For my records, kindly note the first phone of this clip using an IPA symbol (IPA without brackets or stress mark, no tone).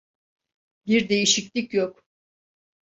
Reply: b